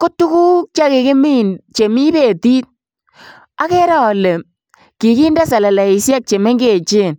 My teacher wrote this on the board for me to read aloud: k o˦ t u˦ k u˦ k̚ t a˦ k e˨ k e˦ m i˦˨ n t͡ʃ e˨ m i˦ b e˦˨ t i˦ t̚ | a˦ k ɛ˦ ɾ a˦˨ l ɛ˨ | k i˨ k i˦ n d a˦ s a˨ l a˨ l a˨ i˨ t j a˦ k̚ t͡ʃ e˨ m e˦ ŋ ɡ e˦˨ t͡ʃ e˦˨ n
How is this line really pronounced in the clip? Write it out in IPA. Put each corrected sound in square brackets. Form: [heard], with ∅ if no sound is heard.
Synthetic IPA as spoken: k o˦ t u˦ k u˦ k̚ [t͡ʃ] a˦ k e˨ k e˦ m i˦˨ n t͡ʃ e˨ m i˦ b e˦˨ t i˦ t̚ | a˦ k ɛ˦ ɾ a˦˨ l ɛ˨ | k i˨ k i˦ n d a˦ s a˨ l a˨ l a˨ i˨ [s] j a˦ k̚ t͡ʃ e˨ m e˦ ŋ ɡ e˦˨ t͡ʃ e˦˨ n

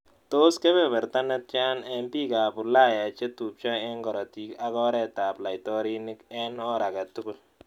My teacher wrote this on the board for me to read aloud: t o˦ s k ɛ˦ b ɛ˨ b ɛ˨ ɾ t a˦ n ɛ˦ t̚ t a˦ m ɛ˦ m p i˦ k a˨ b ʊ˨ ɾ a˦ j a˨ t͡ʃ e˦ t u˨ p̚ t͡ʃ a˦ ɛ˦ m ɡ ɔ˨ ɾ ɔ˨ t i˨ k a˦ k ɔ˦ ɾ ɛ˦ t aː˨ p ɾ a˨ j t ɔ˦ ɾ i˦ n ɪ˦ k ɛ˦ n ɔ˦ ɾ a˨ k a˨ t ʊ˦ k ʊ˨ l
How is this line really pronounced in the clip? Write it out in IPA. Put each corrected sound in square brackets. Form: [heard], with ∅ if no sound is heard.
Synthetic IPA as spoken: t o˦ s k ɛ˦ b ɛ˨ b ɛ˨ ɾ t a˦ n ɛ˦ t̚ [t͡ʃ] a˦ [n] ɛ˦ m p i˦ k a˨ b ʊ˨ [l] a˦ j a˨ t͡ʃ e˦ t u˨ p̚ t͡ʃ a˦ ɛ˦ [ŋ] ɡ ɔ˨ ɾ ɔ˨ t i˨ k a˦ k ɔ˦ ɾ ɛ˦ t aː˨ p [l] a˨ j t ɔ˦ ɾ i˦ n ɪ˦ k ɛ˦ n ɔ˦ ɾ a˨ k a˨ t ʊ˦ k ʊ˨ l

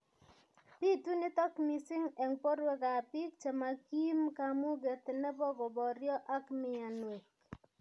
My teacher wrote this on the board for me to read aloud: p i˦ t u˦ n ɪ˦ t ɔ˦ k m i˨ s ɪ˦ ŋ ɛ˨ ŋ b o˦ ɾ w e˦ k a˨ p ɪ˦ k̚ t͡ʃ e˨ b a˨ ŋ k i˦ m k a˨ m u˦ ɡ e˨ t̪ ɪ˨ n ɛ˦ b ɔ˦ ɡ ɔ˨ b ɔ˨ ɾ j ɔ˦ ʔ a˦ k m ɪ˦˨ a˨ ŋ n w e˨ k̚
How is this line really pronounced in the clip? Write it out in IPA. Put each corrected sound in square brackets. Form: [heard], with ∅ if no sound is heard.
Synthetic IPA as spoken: p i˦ t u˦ n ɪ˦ t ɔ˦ k m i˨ s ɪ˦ ŋ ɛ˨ ŋ [p] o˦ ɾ w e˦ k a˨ p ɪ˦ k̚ t͡ʃ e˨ [m] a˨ [∅] k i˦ m k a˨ m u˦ ɡ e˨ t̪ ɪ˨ n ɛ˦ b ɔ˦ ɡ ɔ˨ b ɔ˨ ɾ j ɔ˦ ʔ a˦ k m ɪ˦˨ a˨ [∅] n w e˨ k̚

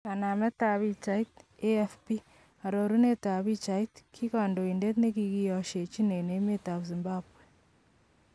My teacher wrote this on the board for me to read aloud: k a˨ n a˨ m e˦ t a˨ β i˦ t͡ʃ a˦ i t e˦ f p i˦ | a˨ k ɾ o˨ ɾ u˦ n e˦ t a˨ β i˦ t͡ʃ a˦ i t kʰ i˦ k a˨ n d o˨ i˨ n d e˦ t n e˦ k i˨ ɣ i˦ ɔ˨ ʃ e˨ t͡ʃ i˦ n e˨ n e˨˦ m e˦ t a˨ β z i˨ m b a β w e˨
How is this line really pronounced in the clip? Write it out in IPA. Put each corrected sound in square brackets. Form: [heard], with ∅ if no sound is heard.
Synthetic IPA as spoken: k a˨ n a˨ m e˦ t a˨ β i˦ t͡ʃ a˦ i t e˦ f p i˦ | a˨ [∅] ɾ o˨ ɾ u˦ n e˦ t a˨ β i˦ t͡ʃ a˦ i t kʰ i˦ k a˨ n d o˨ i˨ n d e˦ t n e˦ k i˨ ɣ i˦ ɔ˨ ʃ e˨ t͡ʃ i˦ n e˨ n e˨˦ m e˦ t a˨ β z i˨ m b a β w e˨

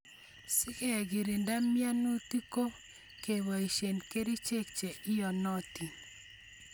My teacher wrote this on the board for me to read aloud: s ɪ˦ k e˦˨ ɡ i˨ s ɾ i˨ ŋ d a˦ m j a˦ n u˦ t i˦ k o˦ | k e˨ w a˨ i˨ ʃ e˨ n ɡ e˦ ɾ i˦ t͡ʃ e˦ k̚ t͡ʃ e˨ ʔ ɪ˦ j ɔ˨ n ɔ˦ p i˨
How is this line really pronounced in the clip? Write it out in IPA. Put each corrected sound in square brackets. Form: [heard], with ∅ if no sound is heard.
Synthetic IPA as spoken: s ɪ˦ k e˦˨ ɡ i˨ [∅] ɾ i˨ [n] d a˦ m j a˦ n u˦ t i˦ k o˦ | k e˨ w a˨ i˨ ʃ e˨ n [k] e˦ ɾ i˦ t͡ʃ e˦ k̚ t͡ʃ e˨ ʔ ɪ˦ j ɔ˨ n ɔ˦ [t] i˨

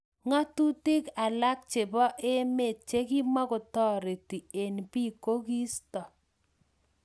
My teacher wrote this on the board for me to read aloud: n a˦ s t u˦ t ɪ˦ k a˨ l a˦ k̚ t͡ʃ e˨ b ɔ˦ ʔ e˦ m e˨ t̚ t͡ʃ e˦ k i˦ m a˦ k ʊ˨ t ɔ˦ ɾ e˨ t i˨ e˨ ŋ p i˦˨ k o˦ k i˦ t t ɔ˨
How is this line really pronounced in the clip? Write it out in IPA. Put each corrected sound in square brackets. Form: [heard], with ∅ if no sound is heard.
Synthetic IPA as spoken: [ŋ] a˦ [∅] t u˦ t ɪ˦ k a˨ l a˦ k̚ t͡ʃ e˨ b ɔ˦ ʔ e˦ m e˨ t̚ t͡ʃ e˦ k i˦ m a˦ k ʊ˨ t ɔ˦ ɾ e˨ t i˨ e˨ [n] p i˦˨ k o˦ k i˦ [s] t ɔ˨

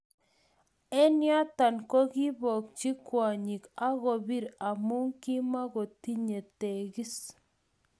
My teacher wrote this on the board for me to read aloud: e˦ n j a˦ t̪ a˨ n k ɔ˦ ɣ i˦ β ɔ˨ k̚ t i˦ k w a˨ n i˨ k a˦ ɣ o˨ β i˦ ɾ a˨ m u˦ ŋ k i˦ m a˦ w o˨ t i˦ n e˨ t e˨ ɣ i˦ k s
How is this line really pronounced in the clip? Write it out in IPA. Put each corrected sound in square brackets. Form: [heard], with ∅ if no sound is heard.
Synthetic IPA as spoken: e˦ n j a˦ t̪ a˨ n k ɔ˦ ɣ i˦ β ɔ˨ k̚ [t͡ʃ] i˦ k w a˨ [ɲ] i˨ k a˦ ɣ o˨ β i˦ ɾ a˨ m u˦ ŋ k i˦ m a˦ [ɣ] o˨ t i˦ [ɲ] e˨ t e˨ ɣ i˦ [∅] s

